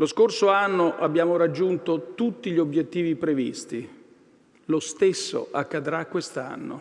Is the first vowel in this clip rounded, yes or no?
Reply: yes